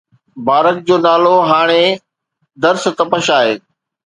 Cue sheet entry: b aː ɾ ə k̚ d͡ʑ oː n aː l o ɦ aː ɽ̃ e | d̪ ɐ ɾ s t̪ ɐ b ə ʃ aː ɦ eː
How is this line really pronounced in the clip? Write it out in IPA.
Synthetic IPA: b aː ɾ ə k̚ d͡ʑ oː n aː l o ɦ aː ɽ̃ e | d̪ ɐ ɾ s t̪ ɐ p ə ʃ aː ɦ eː